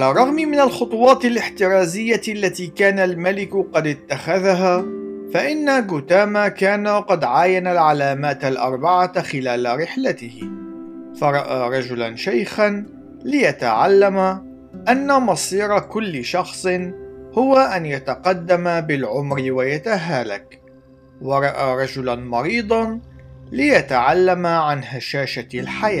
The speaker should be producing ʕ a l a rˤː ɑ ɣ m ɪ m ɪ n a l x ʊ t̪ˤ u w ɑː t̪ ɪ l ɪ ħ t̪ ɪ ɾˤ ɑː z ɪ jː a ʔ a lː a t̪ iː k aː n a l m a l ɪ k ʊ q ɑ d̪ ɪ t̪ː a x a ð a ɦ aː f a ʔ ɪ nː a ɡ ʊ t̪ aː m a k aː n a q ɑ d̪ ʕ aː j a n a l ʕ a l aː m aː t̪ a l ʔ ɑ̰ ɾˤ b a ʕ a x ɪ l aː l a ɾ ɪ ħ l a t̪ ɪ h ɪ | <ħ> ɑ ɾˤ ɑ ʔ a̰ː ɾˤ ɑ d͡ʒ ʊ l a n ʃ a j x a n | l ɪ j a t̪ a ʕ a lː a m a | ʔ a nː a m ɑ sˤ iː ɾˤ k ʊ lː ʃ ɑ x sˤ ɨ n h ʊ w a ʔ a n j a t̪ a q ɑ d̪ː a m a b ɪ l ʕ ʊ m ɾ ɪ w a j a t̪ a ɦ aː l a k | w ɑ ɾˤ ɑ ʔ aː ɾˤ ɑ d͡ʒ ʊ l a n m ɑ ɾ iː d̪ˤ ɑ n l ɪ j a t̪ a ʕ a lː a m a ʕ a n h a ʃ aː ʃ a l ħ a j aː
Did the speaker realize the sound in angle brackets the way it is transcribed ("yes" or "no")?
no